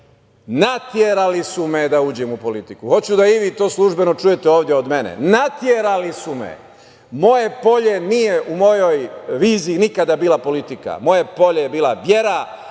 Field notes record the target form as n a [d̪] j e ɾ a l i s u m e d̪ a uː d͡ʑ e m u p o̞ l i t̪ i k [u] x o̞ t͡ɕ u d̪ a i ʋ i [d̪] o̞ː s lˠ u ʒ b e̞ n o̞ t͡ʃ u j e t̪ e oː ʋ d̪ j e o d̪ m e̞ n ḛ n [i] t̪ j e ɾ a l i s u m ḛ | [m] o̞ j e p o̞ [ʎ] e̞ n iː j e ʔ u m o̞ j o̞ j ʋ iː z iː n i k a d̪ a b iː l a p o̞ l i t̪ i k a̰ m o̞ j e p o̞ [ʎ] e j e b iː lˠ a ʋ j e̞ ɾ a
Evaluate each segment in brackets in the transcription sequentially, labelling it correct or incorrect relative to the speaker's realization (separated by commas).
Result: incorrect, correct, incorrect, incorrect, correct, correct, correct